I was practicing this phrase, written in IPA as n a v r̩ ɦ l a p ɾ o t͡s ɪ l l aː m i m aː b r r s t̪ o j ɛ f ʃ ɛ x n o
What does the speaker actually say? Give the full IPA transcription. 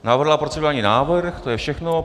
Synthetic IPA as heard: n a v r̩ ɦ l a p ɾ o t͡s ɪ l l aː ɲ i n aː v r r x t̪ o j ɛ f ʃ ɛ x n o